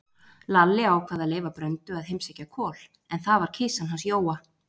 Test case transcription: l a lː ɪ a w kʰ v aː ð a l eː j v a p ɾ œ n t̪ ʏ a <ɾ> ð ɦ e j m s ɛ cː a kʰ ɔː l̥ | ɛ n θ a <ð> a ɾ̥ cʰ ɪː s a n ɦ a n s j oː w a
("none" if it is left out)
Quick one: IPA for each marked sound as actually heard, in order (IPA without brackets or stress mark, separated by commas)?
none, v